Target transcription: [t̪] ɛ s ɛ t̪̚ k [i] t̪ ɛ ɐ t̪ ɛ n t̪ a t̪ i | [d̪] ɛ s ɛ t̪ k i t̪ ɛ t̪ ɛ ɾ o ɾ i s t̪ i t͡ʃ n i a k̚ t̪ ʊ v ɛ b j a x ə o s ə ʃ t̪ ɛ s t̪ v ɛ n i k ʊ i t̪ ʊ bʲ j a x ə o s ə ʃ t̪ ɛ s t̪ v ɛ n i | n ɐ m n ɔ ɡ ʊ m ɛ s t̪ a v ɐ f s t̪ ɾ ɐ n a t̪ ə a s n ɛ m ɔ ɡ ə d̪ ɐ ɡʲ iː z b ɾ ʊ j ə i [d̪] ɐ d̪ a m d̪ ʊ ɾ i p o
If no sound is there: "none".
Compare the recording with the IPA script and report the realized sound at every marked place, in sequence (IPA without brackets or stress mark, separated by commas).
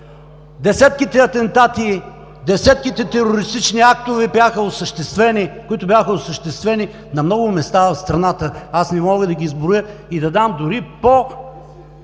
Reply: d̪, i, d̪, d̪